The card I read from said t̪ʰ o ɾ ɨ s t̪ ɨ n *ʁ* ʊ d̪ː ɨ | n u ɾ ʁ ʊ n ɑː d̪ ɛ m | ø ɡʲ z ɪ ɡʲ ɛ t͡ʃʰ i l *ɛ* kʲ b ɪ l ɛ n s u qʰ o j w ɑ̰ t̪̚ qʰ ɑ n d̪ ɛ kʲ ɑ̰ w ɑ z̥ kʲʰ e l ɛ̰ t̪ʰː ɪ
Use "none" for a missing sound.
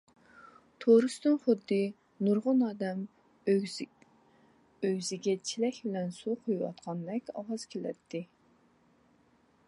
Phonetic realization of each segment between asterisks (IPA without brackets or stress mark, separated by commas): χ, ɛ